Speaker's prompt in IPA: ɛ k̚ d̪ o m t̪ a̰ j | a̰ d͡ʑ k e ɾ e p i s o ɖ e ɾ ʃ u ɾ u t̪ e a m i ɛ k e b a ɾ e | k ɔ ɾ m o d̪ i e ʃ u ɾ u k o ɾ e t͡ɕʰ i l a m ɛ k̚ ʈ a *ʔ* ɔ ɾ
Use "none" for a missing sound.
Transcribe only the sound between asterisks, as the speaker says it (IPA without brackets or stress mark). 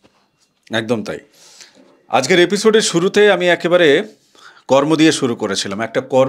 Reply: k